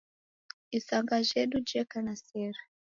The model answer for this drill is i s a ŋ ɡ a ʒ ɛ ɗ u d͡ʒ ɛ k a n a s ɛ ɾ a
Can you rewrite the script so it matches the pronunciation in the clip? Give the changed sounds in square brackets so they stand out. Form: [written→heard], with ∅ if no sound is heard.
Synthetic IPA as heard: i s a ŋ ɡ a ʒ ɛ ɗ u d͡ʒ ɛ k a n a s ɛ ɾ a

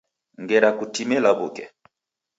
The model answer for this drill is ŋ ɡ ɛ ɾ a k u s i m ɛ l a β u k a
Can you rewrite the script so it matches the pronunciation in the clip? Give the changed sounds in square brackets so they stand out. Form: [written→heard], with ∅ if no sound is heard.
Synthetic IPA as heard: ŋ ɡ ɛ ɾ a k u [s→t] i m ɛ l a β u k [a→ɛ]

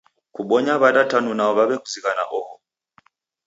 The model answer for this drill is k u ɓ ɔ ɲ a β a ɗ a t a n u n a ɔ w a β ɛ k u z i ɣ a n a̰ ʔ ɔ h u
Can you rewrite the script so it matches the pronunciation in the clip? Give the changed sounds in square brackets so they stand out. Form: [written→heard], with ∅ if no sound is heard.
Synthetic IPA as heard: k u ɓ ɔ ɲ a β a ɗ a t a n u n a ɔ [w→β] a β ɛ k u z i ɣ a n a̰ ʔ ɔ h [u→ɔ]

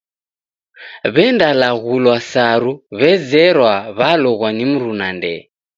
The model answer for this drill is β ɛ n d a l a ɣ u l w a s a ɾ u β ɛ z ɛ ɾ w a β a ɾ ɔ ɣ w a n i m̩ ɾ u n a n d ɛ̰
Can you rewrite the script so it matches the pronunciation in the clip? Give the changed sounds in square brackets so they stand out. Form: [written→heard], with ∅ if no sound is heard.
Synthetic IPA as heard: β ɛ n d a l a ɣ u l w a s a ɾ u β ɛ z ɛ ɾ w a β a [ɾ→l] ɔ ɣ w a n i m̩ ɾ u n a n d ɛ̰

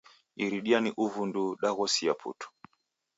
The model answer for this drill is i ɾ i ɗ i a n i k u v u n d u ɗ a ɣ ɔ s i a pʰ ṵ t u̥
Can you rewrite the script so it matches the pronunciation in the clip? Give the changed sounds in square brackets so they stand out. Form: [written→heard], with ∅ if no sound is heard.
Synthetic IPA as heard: i ɾ i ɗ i a n i [k→ʔ] u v u n d u ɗ a ɣ ɔ s i a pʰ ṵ t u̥

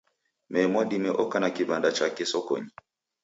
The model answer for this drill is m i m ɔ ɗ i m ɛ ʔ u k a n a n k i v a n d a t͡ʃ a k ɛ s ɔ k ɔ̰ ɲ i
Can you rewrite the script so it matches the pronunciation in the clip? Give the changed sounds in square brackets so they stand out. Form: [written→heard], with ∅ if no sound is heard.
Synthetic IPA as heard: m [i→ɛ] m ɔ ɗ i m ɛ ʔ [u→ɔ] k a n a [n→∅] k i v a n d a t͡ʃ a k ɛ s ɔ k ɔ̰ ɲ i

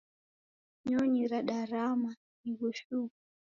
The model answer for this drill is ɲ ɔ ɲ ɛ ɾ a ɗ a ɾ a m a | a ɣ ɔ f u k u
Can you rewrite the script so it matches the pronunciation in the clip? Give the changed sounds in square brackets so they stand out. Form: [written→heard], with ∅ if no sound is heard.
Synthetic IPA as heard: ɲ ɔ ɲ [ɛ→i] ɾ a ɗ a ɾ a m a | [a→i] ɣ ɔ [f→ʃ] u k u

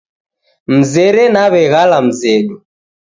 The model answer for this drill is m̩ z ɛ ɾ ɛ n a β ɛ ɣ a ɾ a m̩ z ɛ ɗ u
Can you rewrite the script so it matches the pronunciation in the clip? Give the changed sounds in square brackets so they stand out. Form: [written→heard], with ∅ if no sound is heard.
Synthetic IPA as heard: m̩ z ɛ ɾ ɛ n a β ɛ ɣ a [ɾ→l] a m̩ z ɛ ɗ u

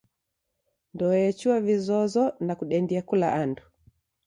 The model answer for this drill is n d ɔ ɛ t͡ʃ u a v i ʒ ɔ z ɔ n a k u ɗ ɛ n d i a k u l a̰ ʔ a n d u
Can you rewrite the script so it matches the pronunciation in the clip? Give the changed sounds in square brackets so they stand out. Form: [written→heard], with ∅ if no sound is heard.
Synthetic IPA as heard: n d ɔ ɛ t͡ʃ u a v i [ʒ→z] ɔ z ɔ n a k u ɗ ɛ n d i a k u l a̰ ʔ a n d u

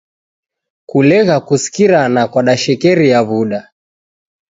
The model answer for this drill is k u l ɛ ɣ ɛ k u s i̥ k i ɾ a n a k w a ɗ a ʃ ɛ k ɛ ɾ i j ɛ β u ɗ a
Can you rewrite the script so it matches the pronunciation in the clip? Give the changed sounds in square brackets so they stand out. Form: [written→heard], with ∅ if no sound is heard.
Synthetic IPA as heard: k u l ɛ ɣ [ɛ→a] k u s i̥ k i ɾ a n a k w a ɗ a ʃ ɛ k ɛ ɾ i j [ɛ→a] β u ɗ a

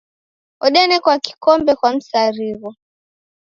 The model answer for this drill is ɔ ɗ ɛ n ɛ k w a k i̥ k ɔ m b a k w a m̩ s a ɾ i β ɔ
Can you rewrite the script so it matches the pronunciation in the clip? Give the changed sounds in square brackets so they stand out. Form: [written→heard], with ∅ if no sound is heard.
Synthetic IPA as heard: ɔ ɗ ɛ n ɛ k w a k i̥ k ɔ m b [a→ɛ] k w a m̩ s a ɾ i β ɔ

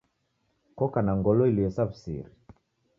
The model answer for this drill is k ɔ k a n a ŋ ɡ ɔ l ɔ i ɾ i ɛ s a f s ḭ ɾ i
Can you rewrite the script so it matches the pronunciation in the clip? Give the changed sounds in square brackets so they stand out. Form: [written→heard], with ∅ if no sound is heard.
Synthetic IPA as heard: k ɔ k a n a ŋ ɡ ɔ l ɔ i [ɾ→l] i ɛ s a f s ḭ ɾ i

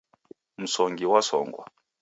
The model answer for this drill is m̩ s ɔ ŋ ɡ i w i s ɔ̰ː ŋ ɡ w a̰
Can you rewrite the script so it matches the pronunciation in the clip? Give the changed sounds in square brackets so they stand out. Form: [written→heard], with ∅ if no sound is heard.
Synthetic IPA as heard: m̩ s ɔ ŋ ɡ i w [i→a] s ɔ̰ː ŋ ɡ w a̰

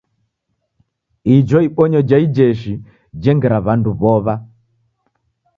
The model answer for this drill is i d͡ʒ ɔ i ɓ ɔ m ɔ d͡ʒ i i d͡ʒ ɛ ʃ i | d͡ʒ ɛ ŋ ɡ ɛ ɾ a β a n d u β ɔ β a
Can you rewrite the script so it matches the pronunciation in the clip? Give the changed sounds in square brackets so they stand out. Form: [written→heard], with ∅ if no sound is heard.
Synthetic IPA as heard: i d͡ʒ ɔ i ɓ ɔ [m→ɲ] ɔ d͡ʒ [i→a] i d͡ʒ ɛ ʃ i | d͡ʒ ɛ ŋ ɡ ɛ ɾ a β a n d u β ɔ β a

